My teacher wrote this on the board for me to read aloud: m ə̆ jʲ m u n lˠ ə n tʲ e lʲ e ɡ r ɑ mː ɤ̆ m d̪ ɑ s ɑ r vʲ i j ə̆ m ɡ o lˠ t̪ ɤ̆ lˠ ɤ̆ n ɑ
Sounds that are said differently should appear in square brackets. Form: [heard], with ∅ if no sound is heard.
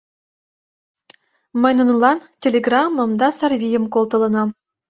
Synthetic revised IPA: m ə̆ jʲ [n] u n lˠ [ɑ] n tʲ e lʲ e ɡ r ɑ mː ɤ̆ m d̪ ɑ s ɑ r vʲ i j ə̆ m [k] o lˠ t̪ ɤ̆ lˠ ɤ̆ n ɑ